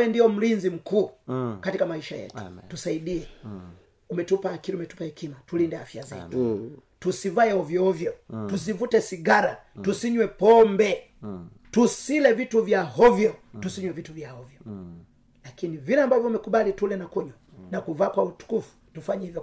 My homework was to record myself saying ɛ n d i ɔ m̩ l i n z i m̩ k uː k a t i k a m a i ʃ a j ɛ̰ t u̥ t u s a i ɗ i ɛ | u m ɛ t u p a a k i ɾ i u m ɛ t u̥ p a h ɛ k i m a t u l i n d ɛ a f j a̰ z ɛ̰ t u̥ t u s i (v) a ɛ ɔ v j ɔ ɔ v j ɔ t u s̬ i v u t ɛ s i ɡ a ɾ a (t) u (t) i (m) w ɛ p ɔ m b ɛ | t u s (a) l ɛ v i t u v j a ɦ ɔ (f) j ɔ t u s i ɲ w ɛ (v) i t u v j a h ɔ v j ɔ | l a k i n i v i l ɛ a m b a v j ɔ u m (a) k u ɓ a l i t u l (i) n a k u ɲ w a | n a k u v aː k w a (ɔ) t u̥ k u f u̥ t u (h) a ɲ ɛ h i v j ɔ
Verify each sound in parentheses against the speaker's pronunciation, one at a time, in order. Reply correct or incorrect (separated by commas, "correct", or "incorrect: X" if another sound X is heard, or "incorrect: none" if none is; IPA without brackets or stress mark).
correct, correct, incorrect: s, incorrect: ɲ, incorrect: i, incorrect: v, correct, incorrect: ɛ, incorrect: ɛ, incorrect: u, incorrect: f